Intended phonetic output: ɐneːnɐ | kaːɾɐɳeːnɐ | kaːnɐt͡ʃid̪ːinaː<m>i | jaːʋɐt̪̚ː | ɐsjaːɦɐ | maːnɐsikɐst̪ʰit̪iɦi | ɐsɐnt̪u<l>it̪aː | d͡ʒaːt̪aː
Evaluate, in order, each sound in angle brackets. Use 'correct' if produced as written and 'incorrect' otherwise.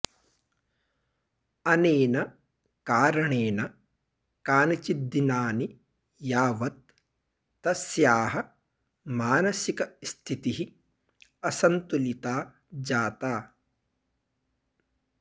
incorrect: n, correct

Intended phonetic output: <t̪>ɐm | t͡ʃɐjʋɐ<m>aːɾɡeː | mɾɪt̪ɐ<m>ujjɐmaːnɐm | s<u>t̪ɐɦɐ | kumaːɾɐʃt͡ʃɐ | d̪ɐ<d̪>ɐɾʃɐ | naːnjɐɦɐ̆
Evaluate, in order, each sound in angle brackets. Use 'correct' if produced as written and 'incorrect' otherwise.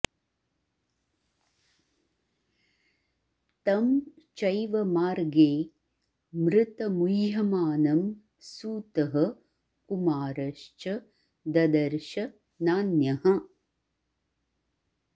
correct, correct, correct, incorrect: uː, correct

